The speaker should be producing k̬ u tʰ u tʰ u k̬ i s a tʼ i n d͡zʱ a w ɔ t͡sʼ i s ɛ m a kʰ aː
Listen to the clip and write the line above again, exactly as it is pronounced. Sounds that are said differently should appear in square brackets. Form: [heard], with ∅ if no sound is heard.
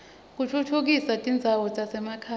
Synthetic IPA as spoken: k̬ u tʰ u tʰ u k̬ i s a tʼ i n d͡zʱ a w ɔ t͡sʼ [a] s ɛ m a kʰ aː